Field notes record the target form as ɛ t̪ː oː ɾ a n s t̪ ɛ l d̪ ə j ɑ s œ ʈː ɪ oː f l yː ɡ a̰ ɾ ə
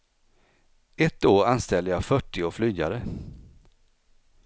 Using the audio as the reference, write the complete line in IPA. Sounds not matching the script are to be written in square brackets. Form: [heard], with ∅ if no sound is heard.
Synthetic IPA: ɛ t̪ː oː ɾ a n s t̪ ɛ l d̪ ə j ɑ [f] œ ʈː ɪ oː f l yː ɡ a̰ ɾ ə